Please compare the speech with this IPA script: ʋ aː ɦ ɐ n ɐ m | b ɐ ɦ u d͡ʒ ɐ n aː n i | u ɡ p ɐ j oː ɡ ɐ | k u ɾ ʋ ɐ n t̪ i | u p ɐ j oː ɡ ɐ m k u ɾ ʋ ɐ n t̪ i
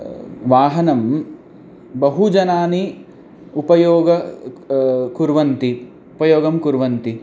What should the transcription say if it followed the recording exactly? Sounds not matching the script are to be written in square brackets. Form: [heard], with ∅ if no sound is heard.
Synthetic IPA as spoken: ʋ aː ɦ ɐ n ɐ m | b ɐ ɦ u d͡ʒ ɐ n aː n i | u [∅] p ɐ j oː ɡ ɐ | k u ɾ ʋ ɐ n t̪ i | u p ɐ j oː ɡ ɐ m k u ɾ ʋ ɐ n t̪ i